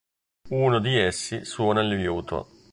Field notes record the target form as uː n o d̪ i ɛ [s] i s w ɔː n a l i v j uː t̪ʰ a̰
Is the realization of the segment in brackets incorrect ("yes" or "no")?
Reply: yes